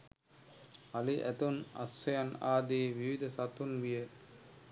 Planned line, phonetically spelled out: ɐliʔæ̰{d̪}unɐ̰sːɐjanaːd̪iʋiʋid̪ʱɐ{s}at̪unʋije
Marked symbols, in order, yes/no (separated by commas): no, yes